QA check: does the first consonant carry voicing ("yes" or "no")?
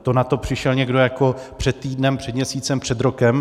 no